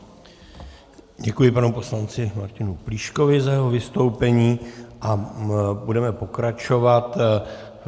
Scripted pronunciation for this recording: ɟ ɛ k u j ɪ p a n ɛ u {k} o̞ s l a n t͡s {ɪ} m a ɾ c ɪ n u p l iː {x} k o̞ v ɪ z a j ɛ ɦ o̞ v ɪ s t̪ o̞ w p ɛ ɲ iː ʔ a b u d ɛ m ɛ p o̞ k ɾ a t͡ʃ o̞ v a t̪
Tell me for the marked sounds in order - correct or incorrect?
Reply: incorrect, correct, incorrect

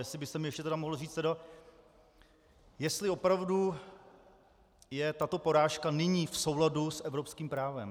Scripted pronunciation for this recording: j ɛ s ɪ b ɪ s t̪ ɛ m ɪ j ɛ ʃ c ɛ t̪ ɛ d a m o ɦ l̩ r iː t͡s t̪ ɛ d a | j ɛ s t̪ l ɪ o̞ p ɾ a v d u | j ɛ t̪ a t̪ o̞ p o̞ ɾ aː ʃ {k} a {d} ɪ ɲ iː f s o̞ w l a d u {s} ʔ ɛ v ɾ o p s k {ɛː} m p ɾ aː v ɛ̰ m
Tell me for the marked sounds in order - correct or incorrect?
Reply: correct, incorrect, correct, incorrect

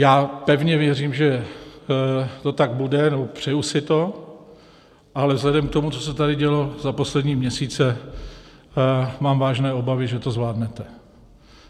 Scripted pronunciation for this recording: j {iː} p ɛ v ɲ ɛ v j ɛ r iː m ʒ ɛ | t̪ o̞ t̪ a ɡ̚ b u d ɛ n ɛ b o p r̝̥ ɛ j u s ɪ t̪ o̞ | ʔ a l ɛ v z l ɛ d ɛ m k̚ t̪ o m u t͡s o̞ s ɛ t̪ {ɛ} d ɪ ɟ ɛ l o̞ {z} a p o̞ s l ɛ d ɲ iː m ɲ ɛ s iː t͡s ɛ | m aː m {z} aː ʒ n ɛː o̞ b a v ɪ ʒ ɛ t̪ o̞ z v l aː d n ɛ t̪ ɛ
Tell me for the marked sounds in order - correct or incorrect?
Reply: incorrect, incorrect, correct, incorrect

